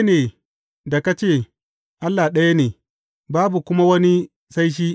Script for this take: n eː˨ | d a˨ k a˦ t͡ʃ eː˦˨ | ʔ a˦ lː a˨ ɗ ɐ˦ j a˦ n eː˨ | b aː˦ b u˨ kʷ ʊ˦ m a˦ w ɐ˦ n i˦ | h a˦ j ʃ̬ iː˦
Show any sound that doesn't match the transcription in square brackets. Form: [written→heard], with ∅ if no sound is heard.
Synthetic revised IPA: n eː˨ | d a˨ k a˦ t͡ʃ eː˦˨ | ʔ a˦ lː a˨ ɗ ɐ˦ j a˦ n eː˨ | b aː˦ b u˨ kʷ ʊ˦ m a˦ w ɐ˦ n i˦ | [h→s] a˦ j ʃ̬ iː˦